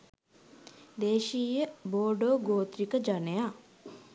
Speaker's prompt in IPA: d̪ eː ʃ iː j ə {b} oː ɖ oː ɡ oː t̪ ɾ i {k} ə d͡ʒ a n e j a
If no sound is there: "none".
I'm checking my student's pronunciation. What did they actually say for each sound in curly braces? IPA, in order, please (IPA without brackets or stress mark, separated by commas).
b, k